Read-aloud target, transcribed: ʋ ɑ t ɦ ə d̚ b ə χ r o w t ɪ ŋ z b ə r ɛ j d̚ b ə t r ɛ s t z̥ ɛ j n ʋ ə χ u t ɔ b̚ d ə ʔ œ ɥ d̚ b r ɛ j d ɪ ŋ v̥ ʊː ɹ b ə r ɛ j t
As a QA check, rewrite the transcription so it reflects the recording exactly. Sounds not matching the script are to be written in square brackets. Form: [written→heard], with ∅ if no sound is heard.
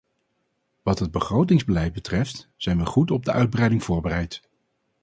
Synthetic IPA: ʋ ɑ t ɦ ə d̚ b ə χ r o w t ɪ ŋ z b ə [r→l] ɛ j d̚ b ə t r ɛ [s→f] t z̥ ɛ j n ʋ ə χ u t ɔ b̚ d ə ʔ œ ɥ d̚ b r ɛ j d ɪ ŋ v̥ ʊː ɹ b ə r ɛ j t

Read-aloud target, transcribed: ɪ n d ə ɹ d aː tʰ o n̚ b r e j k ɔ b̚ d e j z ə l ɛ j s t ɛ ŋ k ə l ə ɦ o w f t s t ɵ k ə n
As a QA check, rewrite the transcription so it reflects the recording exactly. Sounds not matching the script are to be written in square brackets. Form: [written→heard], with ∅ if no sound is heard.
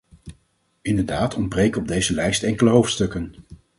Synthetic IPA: ɪ n d ə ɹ d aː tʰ [o→ɔ] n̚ b r e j k ɔ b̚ d e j z ə l ɛ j s t ɛ ŋ k ə l ə ɦ o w f t s t ɵ k ə n

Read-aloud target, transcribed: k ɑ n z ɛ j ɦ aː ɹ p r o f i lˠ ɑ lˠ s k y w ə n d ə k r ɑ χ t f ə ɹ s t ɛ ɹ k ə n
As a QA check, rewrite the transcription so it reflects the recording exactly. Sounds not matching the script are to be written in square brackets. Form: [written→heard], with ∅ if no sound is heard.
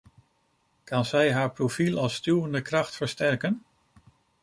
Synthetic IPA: k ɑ n z ɛ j ɦ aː ɹ p r o f i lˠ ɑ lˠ s [k→t] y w ə n d ə k r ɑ χ t f ə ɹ s t ɛ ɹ k ə n

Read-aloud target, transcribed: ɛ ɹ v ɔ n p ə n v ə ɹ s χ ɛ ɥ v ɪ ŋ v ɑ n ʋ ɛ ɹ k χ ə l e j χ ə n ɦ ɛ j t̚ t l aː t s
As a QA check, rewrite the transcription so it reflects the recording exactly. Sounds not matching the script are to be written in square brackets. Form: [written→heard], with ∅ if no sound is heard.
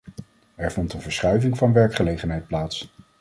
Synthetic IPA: ɛ ɹ v ɔ n [p→t] ə n v ə ɹ s χ [ɛ→œ] ɥ v ɪ ŋ v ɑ n ʋ ɛ ɹ k χ ə l e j χ ə n ɦ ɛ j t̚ [t→p] l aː t s

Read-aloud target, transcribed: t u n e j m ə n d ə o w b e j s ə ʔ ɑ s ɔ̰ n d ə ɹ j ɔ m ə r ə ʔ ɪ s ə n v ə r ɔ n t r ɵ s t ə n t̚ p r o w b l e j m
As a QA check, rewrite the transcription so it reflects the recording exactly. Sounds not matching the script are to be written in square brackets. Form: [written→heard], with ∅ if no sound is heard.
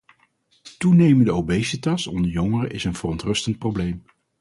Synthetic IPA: t u n e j m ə n d ə o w b e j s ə [ʔ→t] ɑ s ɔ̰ n d ə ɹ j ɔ [m→ŋ] ə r ə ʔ ɪ s ə n v ə r ɔ n t r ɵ s t ə n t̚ p r o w b l e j m

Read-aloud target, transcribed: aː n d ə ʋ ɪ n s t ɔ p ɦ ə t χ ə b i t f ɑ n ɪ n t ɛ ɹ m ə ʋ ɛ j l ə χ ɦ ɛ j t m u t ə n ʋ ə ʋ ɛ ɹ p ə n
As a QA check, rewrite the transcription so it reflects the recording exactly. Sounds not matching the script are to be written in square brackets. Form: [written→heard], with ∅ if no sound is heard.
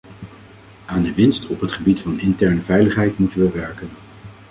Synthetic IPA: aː n d ə ʋ ɪ n s t ɔ p ɦ ə t χ ə b i t f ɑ n ɪ n t ɛ ɹ [m→n] ə [ʋ→v] ɛ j l ə χ ɦ ɛ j t m u t ə n ʋ ə ʋ ɛ ɹ [p→k] ə n

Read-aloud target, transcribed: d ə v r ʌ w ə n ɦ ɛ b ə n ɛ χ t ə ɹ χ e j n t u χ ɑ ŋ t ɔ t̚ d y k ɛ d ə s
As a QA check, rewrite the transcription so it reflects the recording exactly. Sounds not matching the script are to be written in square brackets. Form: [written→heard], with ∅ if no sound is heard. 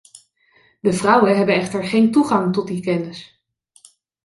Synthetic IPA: d ə v r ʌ w ə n ɦ ɛ b ə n ɛ χ t ə ɹ χ e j n t u χ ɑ ŋ t ɔ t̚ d [y→i] k ɛ [d→n] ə s

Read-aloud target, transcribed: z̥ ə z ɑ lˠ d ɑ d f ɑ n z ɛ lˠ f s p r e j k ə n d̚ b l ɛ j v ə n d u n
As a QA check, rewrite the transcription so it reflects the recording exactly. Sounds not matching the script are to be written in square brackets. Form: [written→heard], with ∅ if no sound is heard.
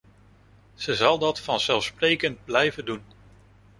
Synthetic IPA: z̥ ə z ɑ lˠ d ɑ [d→t] f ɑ n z ɛ lˠ f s p r e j k ə n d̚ b l ɛ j v ə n d u n

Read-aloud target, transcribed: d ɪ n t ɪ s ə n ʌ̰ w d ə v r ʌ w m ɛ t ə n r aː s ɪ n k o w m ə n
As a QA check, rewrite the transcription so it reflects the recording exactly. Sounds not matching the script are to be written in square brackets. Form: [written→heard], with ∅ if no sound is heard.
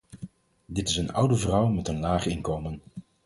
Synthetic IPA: d ɪ [n→∅] t ɪ s ə n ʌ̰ w d ə v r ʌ w m ɛ t ə n [r→l] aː [s→χ] ɪ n k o w m ə n

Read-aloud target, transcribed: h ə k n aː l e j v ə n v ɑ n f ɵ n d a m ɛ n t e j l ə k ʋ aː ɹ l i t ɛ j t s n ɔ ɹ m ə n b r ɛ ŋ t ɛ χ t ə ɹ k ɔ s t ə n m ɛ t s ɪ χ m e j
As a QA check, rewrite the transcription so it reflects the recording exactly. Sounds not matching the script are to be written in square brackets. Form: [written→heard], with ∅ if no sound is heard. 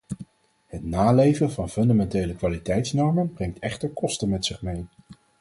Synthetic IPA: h ə [k→t] n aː l e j v ə n v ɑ n f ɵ n d a m ɛ n t e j l ə k ʋ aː [ɹ→∅] l i t ɛ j t s n ɔ ɹ m ə n b r ɛ ŋ t ɛ χ t ə ɹ k ɔ s t ə n m ɛ t s ɪ χ m e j

